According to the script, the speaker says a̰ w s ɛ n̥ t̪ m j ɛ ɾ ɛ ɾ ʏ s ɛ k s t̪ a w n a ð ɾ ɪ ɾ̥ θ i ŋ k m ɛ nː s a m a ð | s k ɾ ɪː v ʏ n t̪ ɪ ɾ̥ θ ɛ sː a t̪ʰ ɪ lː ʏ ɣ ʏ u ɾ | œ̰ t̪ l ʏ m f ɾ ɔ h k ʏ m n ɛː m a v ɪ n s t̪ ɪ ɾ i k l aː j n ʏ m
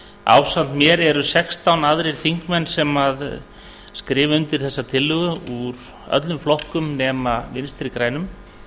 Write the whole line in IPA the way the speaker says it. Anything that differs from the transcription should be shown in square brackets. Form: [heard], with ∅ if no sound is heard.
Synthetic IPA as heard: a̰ w s [a] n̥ t̪ m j ɛ ɾ ɛ ɾ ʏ s ɛ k s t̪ a w n a ð ɾ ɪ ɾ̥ θ i ŋ k m ɛ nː s [ɛ] m a ð | s k ɾ ɪː v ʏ n t̪ ɪ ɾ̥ θ ɛ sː a t̪ʰ ɪ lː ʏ ɣ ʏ u ɾ | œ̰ t̪ l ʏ m f [l] ɔ h k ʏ m n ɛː m a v ɪ n s t̪ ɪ ɾ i k [ɾ] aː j n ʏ m